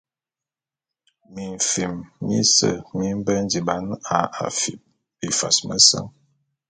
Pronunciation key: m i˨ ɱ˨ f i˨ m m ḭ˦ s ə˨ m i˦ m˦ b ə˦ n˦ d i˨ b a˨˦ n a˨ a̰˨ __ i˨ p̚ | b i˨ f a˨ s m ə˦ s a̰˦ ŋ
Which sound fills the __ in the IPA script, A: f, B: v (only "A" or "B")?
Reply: A